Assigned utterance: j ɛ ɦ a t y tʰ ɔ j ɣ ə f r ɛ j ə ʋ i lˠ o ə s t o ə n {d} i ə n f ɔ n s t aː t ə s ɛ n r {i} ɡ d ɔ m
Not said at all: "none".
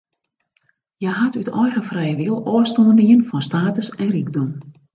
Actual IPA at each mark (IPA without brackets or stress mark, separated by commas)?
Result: d, i